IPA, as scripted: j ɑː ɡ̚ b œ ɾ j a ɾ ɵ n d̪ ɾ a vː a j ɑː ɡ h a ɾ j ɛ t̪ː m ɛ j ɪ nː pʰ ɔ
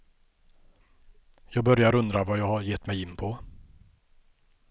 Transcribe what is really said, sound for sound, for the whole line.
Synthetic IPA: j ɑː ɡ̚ b œ ɾ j a ɾ ɵ n d̪ ɾ a v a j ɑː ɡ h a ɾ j ɛ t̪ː m ɛ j ɪ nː pʰ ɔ